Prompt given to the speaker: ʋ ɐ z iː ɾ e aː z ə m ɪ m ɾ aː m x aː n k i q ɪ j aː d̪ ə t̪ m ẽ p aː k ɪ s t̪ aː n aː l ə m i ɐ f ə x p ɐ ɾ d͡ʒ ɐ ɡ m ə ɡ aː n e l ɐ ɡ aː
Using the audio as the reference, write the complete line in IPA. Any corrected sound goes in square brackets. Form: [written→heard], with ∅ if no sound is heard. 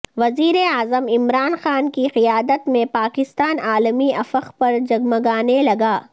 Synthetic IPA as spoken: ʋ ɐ z iː ɾ e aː z ə m ɪ m ɾ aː [m→n] x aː n k i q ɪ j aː d̪ ə t̪ m ẽ p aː k ɪ s t̪ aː n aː l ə m i ɐ f ə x p ɐ ɾ d͡ʒ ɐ ɡ m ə ɡ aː n e l ɐ ɡ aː